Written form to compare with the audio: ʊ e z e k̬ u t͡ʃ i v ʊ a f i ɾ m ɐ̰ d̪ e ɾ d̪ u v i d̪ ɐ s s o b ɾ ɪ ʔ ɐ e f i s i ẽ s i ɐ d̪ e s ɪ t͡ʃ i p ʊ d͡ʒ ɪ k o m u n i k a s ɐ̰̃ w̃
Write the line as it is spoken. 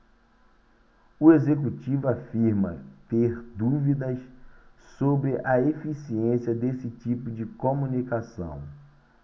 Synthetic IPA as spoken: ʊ e z e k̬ u t͡ʃ i v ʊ a f i ɾ m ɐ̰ t̪ e ɾ d̪ u v i d̪ ɐ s s o b ɾ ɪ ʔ ɐ e f i s i ẽ s i ɐ d̪ e s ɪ t͡ʃ i p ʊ d͡ʒ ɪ k o m u n i k a s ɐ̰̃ w̃